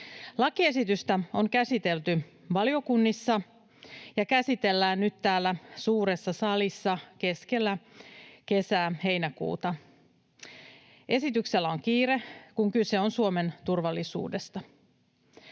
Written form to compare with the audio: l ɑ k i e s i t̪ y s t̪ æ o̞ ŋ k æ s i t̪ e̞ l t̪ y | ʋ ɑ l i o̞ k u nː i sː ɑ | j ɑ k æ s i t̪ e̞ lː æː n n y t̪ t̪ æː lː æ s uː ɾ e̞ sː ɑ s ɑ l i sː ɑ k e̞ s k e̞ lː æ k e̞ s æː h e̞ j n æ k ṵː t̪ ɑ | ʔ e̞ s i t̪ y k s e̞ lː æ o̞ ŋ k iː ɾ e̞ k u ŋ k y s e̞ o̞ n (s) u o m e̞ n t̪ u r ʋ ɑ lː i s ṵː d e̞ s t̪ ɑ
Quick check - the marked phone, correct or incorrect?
correct